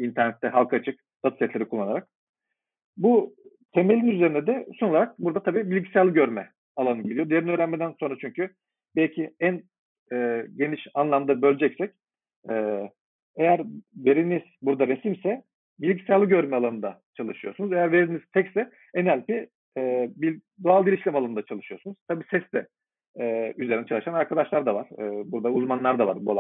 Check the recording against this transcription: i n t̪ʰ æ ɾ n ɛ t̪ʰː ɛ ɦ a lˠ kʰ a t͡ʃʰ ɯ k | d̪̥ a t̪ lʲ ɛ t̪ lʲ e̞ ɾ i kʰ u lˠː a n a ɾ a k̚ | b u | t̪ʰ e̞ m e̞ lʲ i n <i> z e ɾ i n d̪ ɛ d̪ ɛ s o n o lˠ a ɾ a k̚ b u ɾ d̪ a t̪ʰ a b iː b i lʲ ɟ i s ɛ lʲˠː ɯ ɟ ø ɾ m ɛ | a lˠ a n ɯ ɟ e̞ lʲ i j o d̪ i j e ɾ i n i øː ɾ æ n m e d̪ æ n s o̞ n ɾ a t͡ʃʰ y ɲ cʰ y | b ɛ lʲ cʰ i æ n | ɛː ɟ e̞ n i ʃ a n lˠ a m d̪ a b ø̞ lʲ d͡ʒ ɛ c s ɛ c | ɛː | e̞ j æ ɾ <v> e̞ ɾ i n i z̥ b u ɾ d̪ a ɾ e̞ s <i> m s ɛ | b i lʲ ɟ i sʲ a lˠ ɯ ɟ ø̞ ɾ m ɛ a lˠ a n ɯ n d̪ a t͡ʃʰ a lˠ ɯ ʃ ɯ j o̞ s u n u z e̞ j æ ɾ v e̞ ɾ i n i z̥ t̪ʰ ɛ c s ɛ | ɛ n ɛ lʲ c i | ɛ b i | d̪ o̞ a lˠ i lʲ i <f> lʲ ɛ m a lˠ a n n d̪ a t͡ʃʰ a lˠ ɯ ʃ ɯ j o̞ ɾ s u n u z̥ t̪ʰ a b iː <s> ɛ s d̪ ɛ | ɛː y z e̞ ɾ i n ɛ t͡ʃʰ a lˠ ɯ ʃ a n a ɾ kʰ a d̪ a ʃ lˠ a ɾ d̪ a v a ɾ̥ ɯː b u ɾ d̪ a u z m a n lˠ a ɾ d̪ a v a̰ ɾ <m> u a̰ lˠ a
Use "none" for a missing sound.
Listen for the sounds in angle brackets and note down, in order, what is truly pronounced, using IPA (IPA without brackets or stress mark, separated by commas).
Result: y, v, i, ʃ, s, b